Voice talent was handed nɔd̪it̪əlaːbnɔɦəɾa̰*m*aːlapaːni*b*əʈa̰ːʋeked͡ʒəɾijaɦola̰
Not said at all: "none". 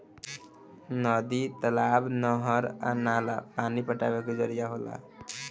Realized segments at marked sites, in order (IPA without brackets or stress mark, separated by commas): n, p